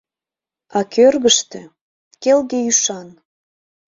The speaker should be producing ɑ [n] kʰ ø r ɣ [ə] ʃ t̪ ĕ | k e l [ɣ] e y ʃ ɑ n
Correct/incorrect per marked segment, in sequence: incorrect: none, correct, correct

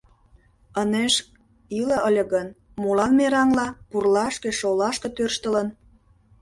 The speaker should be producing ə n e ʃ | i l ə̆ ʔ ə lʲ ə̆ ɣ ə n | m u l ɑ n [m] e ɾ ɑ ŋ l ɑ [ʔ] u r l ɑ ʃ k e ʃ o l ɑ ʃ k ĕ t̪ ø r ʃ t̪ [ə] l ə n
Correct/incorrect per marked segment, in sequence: correct, incorrect: p, correct

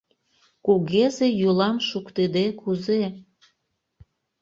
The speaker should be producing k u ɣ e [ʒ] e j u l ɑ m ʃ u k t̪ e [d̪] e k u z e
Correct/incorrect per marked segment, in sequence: incorrect: z, correct

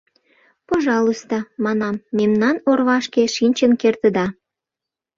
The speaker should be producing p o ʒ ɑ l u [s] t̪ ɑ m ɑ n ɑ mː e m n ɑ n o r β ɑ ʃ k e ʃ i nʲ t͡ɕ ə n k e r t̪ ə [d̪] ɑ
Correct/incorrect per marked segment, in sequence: correct, correct

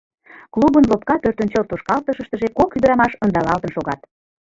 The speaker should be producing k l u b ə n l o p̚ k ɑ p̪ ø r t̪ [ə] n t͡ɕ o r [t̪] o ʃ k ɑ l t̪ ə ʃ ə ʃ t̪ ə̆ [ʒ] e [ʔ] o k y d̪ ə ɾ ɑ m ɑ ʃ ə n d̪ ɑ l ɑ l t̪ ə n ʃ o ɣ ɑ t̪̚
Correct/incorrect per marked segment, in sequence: correct, correct, correct, incorrect: k

